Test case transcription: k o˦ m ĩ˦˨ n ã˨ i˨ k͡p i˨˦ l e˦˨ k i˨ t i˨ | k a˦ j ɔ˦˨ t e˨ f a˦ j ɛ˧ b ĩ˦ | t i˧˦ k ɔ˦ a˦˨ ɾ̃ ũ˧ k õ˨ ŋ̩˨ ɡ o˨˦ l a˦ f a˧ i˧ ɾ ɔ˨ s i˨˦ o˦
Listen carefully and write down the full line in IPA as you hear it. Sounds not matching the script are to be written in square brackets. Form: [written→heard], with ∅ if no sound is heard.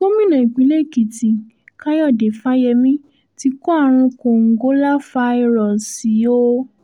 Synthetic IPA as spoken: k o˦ m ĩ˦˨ n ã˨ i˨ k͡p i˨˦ l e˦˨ k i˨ t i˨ | k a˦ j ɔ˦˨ [t→d] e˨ f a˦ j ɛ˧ [b→m] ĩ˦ | t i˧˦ k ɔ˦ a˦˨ ɾ̃ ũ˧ k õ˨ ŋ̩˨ ɡ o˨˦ l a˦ f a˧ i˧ ɾ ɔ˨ s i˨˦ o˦